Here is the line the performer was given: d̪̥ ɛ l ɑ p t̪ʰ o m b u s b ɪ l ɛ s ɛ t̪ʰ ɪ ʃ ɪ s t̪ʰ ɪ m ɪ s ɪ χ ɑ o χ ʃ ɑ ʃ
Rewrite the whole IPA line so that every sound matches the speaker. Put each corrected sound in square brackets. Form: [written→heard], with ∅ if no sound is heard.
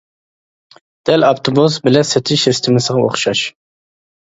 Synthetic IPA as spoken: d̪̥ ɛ l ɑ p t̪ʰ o [m→∅] b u s b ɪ l ɛ s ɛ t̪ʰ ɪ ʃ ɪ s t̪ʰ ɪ m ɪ s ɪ [χ→ʁ] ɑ o χ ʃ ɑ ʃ